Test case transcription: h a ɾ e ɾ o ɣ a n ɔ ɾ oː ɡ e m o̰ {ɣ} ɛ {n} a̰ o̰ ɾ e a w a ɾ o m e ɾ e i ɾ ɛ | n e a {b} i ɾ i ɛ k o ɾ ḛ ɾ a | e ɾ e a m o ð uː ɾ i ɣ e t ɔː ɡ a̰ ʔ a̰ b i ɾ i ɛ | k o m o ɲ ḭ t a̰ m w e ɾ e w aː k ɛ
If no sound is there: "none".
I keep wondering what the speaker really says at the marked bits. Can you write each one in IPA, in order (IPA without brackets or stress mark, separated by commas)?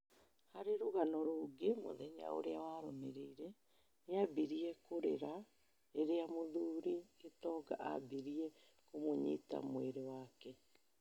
ð, ɲ, b